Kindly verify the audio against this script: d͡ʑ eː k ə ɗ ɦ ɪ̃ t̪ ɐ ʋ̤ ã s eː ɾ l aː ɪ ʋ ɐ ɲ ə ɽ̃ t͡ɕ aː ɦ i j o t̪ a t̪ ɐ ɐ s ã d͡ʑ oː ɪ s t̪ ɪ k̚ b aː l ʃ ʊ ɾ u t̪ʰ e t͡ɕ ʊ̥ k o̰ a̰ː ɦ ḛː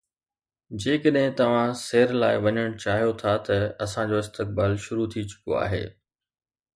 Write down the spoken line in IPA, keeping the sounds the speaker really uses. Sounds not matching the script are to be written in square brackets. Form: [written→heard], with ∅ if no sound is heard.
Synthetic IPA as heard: d͡ʑ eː k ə ɗ ɦ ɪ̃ t̪ ɐ ʋ̤ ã s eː ɾ l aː ɪ ʋ ɐ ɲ ə ɽ̃ t͡ɕ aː ɦ i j o [t̪→t̪ʰ] a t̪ ɐ ɐ s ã d͡ʑ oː ɪ s t̪ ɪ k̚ b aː l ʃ ʊ ɾ u t̪ʰ [e→i] t͡ɕ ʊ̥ k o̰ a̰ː ɦ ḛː

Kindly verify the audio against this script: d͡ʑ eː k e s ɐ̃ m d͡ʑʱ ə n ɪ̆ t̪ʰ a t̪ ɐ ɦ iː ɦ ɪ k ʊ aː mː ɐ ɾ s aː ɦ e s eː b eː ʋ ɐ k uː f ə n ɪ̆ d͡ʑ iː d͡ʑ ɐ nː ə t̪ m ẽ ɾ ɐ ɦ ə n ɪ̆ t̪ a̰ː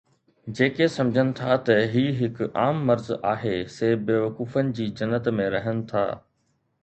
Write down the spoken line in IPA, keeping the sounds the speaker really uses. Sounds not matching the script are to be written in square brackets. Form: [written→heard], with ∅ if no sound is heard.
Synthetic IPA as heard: d͡ʑ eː k e s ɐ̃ m d͡ʑʱ ə n ɪ̆ t̪ʰ a t̪ ɐ ɦ iː ɦ ɪ k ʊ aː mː ɐ ɾ [s→z] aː ɦ e s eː b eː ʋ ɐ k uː f ə n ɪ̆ d͡ʑ iː d͡ʑ ɐ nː ə t̪ m ẽ ɾ ɐ ɦ ə n ɪ̆ [t̪→t̪ʰ] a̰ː

